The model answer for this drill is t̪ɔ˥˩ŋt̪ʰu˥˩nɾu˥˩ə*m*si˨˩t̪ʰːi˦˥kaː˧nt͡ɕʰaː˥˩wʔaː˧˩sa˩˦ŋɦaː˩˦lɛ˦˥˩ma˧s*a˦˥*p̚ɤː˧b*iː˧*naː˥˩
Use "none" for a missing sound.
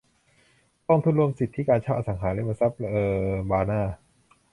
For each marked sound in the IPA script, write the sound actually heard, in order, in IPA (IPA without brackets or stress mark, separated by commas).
m, a˦˥, aː˧